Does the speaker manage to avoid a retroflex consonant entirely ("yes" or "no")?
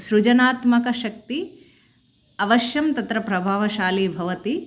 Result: yes